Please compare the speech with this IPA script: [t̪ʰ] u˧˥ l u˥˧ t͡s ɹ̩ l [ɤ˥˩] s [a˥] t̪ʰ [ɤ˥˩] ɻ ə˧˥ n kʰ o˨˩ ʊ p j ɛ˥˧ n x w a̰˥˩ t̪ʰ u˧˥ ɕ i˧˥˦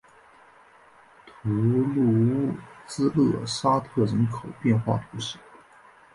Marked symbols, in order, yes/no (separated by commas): yes, yes, yes, yes